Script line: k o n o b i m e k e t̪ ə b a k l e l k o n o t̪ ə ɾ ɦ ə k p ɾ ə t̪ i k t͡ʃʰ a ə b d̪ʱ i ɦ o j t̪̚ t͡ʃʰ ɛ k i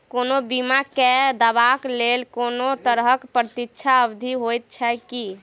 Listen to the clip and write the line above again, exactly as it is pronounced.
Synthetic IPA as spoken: k o n o b i m a k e d̪ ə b a k l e l k o n o t̪ ə ɾ ɦ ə k p ɾ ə t̪ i k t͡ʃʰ a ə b d̪ʱ i ɦ o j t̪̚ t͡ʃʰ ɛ k i